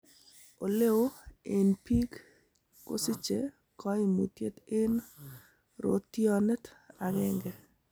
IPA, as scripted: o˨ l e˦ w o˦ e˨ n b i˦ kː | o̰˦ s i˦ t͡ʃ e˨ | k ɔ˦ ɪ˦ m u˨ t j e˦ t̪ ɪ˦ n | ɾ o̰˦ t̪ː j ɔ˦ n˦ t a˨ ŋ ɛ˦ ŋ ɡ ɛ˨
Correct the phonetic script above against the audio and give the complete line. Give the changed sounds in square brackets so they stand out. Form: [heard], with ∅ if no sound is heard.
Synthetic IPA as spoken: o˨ l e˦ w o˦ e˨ n [p] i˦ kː | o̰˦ s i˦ t͡ʃ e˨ | k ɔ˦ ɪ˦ m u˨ t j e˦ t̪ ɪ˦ n | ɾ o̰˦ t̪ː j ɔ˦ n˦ t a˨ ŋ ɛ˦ ŋ ɡ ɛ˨